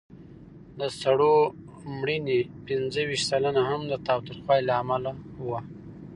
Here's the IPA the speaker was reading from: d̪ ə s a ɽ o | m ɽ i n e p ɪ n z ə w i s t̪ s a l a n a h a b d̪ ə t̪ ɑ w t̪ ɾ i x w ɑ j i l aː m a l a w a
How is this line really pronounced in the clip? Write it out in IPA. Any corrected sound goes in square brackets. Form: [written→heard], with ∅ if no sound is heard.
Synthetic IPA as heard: d̪ ə s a ɽ o | m ɽ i n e p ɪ n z ə w i [s→ʃ] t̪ s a l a n a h a [b→m] d̪ ə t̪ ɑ w t̪ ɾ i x w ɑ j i l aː m a l a w a